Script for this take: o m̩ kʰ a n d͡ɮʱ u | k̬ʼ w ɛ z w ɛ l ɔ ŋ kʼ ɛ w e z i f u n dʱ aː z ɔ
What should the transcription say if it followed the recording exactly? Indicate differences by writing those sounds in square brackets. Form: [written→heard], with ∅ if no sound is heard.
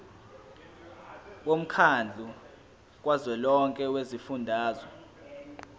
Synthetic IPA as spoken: o m̩ kʰ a n d͡ɮʱ u | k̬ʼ w [ɛ→a] z w ɛ l ɔ ŋ kʼ ɛ w e z i f u n dʱ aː z ɔ